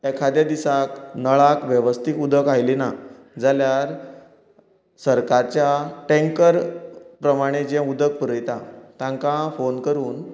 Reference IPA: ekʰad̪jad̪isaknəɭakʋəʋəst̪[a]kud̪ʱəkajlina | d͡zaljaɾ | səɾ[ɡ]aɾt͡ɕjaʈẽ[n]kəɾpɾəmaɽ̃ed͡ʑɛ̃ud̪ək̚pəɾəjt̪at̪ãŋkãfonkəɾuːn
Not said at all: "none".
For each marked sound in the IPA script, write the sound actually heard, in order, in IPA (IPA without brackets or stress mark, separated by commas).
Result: i, k, ŋ